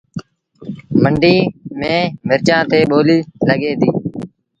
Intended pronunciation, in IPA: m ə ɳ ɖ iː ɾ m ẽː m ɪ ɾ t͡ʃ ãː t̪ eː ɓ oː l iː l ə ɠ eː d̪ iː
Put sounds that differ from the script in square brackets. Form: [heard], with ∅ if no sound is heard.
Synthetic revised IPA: m ə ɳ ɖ iː [∅] m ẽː m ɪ ɾ t͡ʃ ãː t̪ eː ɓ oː l iː l ə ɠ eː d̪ iː